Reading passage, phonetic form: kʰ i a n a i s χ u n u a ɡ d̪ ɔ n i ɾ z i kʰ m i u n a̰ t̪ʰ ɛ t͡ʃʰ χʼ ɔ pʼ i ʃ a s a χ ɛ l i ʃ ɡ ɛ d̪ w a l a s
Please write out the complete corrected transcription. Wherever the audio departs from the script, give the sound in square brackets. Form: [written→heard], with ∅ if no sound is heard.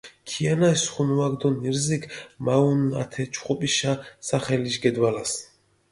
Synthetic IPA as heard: kʰ i a n a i s χ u n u a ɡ d̪ ɔ n i ɾ z i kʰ m [i→a] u n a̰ t̪ʰ ɛ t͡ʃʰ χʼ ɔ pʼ i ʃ a s a χ ɛ l i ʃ ɡ ɛ d̪ w a l a s